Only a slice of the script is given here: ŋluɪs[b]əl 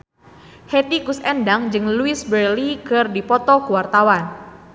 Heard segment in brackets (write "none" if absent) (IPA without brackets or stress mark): b